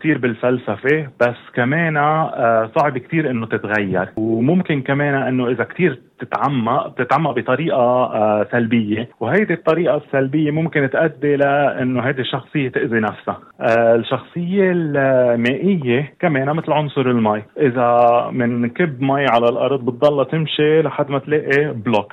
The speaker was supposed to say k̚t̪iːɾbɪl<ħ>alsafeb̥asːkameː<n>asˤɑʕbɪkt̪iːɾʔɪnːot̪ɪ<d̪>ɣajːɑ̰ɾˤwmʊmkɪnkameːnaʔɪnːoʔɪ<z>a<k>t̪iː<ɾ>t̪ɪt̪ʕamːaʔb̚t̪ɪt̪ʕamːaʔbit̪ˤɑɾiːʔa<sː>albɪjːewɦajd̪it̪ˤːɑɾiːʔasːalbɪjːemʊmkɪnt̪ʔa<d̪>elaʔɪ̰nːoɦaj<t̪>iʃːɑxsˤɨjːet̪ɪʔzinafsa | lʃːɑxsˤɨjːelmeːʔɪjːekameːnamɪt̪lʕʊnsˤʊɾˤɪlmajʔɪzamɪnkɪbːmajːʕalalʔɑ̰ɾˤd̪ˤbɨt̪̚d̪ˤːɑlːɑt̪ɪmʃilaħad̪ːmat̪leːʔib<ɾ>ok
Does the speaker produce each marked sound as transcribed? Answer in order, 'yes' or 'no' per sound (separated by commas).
no, yes, no, yes, yes, yes, no, no, no, no